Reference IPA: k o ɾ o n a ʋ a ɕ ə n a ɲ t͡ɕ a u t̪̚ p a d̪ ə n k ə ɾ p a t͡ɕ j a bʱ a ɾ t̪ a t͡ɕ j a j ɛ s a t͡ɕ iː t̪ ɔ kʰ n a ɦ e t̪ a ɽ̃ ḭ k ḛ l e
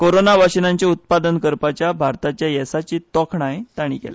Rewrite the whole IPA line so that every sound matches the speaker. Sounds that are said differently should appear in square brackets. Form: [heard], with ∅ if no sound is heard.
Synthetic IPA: k o ɾ o n a ʋ a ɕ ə n a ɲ t͡ɕ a u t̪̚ p a d̪ ə n k ə ɾ p a t͡ɕ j a bʱ a ɾ t̪ a t͡ɕ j a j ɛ s a t͡ɕ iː t̪ ɔ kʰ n a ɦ e t̪ a ɽ̃ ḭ k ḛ l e